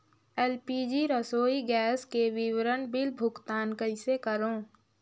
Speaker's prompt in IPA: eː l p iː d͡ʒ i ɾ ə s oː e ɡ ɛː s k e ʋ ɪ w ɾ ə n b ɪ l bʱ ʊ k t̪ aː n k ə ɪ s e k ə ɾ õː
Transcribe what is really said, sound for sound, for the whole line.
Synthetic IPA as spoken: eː l p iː d͡ʒ i ɾ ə s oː i ɡ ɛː s k e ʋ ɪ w ɾ ə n b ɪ l bʱ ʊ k t̪ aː n k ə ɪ s e k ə ɾ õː